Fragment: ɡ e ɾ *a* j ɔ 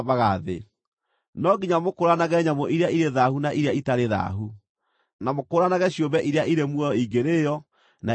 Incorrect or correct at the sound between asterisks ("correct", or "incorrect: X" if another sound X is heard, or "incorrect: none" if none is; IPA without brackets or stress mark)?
incorrect: e